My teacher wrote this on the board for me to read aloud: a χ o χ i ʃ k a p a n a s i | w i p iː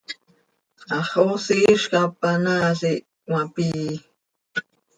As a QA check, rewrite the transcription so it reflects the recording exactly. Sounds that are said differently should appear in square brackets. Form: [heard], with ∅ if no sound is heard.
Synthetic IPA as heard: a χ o [s] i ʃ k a p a n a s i | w [a] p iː